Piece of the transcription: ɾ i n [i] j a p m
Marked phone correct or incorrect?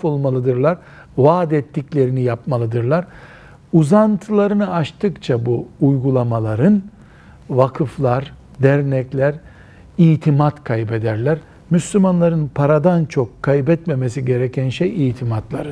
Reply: correct